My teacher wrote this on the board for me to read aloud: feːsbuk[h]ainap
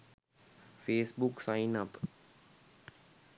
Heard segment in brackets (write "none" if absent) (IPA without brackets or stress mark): s